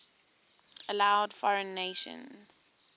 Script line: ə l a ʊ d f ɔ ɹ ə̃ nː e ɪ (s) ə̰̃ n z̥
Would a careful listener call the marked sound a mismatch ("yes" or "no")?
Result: yes